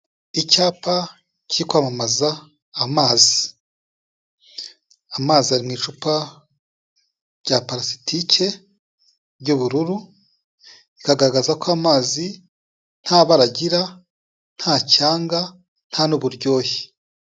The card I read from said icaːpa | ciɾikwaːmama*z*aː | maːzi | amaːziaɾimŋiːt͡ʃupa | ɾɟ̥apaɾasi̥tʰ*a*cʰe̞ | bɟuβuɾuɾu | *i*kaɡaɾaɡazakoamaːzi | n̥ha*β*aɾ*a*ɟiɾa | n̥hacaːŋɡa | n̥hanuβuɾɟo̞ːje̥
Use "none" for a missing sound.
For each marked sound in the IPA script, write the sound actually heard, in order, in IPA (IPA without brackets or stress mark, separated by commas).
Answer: z, i, i, β, a